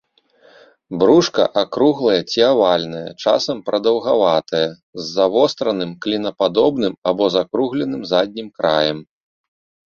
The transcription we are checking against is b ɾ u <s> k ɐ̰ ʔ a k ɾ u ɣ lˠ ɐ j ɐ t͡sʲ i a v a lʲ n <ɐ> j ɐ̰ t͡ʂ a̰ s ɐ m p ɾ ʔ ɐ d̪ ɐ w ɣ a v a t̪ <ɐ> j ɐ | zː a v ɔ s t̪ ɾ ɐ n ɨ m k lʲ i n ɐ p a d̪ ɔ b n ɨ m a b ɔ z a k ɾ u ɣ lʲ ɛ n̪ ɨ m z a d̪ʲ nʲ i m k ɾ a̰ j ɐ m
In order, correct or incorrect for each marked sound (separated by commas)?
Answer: incorrect, correct, correct